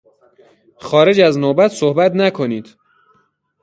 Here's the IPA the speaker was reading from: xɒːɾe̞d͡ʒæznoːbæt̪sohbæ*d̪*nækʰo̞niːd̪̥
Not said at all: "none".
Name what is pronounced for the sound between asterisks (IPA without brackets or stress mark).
t̪